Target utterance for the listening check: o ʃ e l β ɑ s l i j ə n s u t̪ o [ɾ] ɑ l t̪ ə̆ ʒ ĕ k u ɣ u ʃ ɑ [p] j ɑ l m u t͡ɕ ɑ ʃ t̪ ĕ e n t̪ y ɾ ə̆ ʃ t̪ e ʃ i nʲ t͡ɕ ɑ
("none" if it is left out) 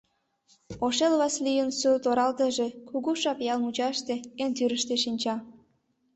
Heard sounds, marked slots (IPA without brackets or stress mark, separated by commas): ɾ, p